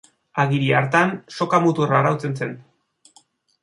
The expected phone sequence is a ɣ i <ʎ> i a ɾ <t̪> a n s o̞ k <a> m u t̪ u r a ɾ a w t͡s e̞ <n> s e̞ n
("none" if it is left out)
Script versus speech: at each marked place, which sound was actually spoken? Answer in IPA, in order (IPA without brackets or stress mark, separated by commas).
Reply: ɾ, t̪, a, n